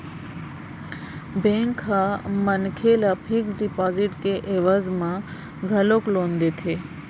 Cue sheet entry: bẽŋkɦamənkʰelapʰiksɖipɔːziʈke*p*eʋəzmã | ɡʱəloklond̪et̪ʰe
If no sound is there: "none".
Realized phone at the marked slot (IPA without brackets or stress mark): ʔ